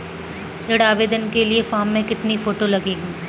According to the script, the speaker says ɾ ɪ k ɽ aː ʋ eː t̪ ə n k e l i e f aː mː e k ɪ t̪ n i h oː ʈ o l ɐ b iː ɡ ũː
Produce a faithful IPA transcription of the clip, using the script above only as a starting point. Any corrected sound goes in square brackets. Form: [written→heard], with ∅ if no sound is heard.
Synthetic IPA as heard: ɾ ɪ [k→∅] ɽ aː ʋ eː [t̪→d̪] ə n k e l i e f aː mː [e→ẽ] k ɪ t̪ n i [h→f] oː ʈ o l ɐ [b→ɡ] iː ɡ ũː